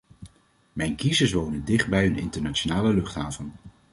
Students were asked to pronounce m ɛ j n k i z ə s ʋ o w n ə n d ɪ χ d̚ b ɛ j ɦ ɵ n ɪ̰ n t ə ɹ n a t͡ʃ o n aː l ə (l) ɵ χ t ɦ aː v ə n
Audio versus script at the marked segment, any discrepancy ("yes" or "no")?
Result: no